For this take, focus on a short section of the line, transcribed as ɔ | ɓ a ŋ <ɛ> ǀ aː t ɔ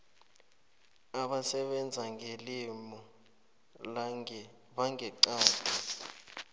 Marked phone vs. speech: correct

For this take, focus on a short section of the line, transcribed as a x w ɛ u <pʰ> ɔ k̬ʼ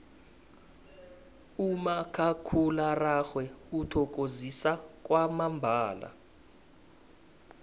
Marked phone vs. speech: incorrect: tʰ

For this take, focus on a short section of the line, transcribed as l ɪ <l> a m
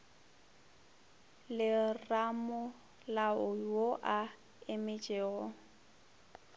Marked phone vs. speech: incorrect: r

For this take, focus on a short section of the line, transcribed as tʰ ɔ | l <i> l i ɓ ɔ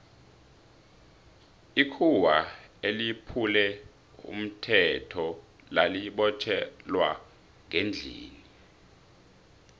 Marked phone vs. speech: incorrect: a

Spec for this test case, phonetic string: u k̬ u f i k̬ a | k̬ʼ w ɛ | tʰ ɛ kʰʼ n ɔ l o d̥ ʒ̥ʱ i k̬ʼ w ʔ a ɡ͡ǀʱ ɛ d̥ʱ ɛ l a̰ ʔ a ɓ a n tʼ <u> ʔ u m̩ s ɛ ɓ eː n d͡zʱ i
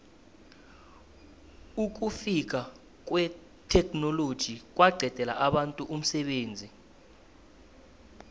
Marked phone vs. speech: correct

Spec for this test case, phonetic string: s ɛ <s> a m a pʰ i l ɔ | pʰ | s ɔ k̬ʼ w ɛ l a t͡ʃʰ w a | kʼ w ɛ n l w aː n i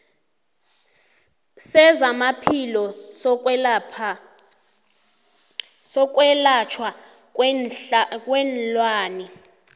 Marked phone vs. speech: incorrect: z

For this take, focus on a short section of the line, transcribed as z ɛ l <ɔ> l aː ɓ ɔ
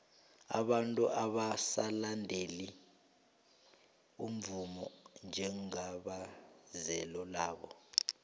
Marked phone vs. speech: correct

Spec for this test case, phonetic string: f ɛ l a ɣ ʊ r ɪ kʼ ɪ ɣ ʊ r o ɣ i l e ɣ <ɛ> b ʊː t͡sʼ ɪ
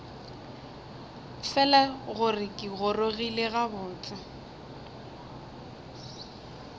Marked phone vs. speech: incorrect: a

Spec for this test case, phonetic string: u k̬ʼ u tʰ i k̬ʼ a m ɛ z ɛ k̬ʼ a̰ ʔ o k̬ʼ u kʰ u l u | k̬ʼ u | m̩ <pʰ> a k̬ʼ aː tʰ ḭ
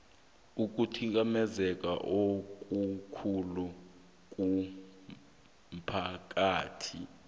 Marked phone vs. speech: correct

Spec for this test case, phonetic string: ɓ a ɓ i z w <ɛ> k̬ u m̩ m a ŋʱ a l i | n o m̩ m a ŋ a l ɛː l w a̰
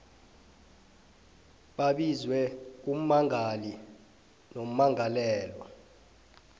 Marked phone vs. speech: correct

